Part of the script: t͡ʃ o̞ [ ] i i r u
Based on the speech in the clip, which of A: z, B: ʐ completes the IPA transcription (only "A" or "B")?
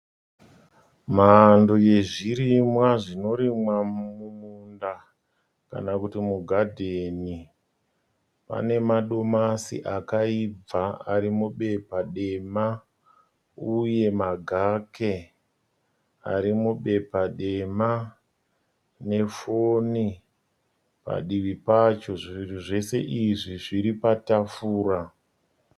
B